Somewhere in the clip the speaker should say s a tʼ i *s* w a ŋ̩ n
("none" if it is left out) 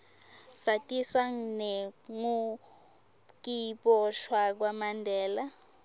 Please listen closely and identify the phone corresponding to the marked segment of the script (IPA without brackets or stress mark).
s